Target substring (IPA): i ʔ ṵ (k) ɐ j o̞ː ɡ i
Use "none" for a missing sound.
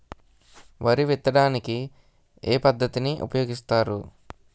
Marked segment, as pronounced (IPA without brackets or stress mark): p